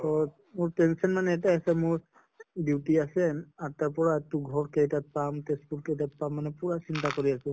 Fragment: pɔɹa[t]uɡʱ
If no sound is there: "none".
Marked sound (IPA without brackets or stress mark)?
t